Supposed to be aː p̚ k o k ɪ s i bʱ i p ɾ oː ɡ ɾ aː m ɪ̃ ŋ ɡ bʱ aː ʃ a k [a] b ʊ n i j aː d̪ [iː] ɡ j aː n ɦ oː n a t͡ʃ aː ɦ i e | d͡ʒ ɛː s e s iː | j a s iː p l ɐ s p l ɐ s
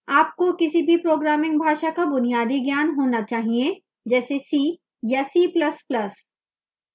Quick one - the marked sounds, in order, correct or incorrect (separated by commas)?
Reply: correct, incorrect